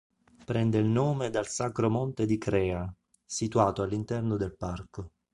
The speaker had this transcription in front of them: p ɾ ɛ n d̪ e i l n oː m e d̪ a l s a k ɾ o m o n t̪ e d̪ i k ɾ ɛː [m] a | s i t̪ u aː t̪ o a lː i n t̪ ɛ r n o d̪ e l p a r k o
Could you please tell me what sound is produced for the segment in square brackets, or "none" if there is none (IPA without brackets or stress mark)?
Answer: none